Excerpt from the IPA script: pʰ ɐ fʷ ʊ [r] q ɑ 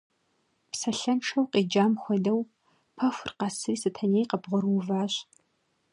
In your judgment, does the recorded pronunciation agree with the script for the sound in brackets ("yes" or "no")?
yes